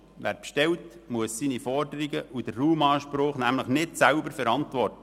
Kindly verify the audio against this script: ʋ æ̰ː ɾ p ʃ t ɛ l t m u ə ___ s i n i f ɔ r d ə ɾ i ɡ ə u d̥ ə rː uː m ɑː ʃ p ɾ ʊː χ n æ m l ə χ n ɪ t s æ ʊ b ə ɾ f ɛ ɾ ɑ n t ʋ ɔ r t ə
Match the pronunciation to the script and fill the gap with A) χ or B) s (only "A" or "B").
B